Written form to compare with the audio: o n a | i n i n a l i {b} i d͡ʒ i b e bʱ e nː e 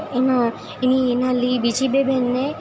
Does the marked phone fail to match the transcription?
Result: no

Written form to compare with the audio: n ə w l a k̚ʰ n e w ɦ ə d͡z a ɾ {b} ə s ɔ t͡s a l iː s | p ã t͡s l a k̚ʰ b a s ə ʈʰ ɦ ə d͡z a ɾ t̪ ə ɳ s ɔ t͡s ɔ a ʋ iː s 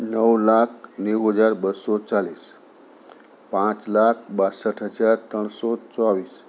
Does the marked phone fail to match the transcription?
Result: no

